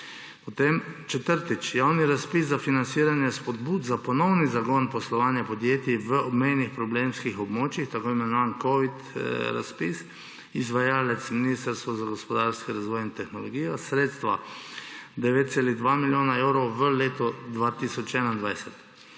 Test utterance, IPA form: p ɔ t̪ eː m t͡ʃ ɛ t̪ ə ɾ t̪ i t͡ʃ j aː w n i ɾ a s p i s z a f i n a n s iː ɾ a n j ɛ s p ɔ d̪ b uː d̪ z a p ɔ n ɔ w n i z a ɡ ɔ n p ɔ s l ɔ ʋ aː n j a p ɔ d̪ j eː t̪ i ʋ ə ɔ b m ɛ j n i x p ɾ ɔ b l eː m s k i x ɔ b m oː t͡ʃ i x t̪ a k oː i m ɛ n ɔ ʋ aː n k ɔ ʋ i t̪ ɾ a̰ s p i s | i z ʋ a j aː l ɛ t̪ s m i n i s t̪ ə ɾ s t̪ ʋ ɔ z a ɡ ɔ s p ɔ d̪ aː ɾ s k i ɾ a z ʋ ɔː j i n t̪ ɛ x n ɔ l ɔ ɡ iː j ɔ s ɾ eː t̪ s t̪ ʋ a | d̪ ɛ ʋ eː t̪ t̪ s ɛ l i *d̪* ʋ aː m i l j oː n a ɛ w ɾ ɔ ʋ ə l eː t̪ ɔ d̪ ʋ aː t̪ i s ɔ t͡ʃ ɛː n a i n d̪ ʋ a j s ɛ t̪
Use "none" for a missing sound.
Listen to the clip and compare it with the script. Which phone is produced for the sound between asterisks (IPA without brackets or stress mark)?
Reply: d̪